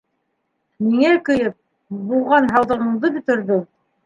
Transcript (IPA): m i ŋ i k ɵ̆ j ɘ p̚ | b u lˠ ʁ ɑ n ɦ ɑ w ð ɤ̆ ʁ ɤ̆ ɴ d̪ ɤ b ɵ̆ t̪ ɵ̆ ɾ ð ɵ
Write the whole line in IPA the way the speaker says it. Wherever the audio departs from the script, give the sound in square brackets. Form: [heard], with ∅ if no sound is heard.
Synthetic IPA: m i ŋ [æ] k ɵ̆ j ɘ p̚ | b u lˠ ʁ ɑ n ɦ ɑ w ð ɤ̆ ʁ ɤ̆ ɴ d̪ ɤ b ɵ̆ t̪ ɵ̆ ɾ ð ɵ